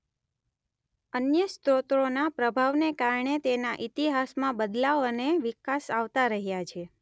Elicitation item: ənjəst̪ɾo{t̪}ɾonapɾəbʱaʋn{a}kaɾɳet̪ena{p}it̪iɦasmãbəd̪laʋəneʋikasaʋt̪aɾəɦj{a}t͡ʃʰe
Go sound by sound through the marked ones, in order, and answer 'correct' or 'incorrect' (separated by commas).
correct, incorrect, incorrect, correct